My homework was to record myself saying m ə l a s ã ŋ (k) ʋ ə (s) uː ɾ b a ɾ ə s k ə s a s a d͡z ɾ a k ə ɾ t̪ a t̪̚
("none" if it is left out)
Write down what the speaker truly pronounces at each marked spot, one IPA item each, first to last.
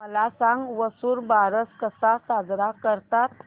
ɡ, s

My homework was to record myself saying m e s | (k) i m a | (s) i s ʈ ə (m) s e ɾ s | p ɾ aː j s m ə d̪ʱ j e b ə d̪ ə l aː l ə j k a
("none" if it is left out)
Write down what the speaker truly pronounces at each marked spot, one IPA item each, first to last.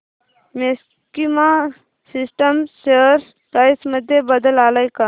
k, s, m

